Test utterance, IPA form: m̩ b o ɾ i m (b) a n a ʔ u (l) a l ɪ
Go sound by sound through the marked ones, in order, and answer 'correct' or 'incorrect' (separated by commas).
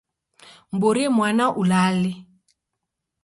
incorrect, correct